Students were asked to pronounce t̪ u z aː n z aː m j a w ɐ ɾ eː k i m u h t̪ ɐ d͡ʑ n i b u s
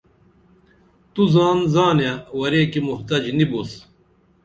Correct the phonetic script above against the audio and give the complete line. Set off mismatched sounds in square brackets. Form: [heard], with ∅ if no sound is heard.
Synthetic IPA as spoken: t̪ u z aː n z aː [n] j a w ɐ ɾ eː k i m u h t̪ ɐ d͡ʑ n i b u s

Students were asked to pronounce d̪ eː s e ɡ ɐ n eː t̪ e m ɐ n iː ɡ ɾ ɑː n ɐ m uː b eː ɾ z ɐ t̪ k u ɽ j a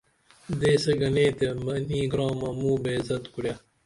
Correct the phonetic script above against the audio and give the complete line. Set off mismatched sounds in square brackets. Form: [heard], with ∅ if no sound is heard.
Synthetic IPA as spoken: d̪ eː s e ɡ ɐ n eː t̪ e m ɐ n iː ɡ ɾ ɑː [m] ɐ m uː b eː [∅] z ɐ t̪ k u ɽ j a

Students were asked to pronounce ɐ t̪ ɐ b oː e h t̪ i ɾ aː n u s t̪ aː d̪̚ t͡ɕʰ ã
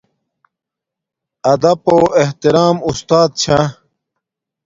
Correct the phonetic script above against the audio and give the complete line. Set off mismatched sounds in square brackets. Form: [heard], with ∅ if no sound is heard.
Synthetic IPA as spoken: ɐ [d̪] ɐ [p] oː e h t̪ i ɾ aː [m] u s t̪ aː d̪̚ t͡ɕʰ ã

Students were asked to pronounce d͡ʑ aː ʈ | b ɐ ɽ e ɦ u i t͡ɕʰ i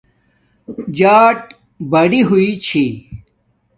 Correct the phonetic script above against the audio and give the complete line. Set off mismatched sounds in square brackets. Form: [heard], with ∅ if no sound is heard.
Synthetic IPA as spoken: d͡ʑ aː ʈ | b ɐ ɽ [i] ɦ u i t͡ɕʰ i

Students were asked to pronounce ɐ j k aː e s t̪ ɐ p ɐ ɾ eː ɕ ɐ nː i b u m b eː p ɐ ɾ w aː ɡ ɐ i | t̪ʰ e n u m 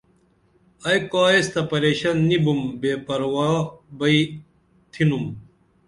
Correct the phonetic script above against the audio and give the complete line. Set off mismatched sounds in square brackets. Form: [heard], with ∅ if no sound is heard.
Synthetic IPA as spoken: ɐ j k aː e s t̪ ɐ p ɐ ɾ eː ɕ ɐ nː i b u m b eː p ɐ ɾ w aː [b] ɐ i | t̪ʰ [i] n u m

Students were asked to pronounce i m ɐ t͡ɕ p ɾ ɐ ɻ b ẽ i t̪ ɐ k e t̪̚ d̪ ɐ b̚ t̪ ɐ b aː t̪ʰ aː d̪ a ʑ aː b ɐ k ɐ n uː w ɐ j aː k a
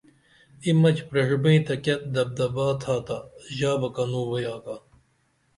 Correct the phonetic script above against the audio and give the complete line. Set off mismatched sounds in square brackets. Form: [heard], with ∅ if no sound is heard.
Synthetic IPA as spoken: i m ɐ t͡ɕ p ɾ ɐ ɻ b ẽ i t̪ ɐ k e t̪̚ d̪ ɐ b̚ [d̪] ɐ b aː t̪ʰ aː [t̪] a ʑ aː b ɐ k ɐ n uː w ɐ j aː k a

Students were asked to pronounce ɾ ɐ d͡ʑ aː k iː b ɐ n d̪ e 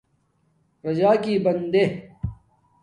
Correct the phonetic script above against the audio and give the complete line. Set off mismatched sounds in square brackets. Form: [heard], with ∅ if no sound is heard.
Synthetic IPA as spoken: ɾ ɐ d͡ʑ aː k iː b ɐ n d̪ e

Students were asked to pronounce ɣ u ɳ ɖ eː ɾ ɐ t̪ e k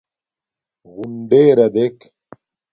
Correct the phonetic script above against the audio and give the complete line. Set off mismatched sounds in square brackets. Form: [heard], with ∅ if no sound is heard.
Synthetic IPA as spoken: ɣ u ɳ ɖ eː ɾ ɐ [d̪] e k

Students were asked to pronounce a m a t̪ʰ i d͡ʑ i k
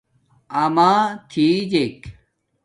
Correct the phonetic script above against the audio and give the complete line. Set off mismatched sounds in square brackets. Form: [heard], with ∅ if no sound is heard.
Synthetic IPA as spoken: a m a t̪ʰ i d͡ʑ [e] k

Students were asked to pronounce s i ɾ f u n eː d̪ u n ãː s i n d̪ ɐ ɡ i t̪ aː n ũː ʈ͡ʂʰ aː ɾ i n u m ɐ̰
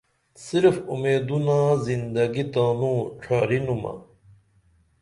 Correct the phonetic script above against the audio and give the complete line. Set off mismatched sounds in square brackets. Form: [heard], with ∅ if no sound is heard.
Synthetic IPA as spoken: s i ɾ f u [m] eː d̪ u n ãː [z] i n d̪ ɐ ɡ i t̪ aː n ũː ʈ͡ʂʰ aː ɾ i n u m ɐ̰

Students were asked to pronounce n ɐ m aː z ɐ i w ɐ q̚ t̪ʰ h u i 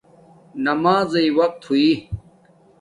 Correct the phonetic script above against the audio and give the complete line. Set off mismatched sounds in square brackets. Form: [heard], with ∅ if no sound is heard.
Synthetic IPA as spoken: n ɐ m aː z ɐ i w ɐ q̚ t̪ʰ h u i

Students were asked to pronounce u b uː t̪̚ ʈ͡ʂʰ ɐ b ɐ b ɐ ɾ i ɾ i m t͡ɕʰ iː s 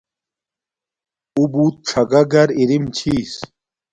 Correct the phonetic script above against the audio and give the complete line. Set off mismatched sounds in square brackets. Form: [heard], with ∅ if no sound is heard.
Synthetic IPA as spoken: u b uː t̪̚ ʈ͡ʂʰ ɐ [ɡ] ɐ [ɡ] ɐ ɾ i ɾ i m t͡ɕʰ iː s

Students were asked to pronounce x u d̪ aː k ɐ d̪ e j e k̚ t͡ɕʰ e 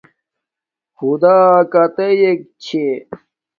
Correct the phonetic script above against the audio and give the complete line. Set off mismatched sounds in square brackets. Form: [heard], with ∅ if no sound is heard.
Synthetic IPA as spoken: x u d̪ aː k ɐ [t̪] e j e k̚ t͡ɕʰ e

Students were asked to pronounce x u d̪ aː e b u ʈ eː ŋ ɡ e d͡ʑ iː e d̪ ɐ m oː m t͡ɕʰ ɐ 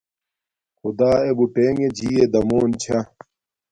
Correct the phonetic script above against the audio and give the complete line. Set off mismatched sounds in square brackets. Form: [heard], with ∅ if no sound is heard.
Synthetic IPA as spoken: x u d̪ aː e b u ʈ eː ŋ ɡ e d͡ʑ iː e d̪ ɐ m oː [n] t͡ɕʰ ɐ

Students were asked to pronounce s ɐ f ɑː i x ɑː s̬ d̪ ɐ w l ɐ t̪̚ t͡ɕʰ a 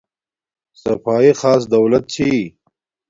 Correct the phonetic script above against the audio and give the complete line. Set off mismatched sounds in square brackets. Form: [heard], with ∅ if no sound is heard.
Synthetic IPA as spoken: s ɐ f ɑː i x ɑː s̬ d̪ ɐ w l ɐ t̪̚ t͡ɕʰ [i]

